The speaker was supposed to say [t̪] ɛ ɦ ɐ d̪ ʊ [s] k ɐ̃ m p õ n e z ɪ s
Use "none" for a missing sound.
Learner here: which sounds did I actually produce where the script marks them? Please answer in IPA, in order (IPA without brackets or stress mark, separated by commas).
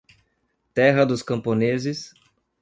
t̪, s